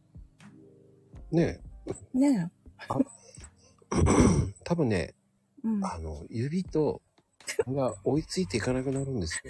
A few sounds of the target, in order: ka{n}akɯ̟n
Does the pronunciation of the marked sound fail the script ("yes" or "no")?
no